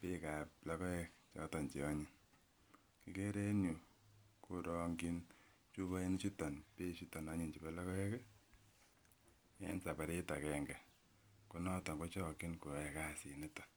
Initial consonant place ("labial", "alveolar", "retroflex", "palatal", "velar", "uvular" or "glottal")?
labial